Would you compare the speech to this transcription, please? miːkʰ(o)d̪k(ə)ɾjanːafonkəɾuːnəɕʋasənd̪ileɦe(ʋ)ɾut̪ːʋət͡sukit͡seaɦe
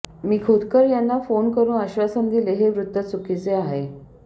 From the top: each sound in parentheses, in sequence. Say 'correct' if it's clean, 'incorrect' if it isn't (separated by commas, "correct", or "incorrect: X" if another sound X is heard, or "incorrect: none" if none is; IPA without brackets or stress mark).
correct, correct, correct